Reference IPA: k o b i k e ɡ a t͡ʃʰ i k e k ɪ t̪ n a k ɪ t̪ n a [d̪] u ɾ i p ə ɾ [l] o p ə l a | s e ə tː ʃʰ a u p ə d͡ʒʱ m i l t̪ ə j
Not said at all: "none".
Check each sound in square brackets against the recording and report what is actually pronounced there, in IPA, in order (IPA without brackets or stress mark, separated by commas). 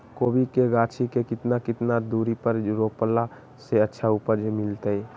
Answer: d̪, ɾ